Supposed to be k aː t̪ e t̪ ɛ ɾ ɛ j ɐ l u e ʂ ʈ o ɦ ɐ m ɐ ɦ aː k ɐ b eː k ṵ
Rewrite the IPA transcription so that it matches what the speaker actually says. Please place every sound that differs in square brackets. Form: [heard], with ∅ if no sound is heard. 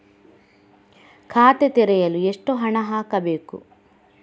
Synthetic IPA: [kʰ] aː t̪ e t̪ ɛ ɾ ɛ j ɐ l u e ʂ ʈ o ɦ ɐ [ɳ] ɐ ɦ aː k ɐ b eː k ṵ